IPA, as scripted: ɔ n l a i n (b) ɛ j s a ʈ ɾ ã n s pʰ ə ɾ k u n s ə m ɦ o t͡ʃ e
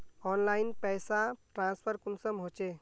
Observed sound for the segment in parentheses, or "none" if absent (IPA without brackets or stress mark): p